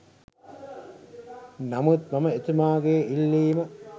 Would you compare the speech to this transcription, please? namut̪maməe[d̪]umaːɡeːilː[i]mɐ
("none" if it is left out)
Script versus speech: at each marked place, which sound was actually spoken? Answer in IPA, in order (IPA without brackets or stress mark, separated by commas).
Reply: t̪, iː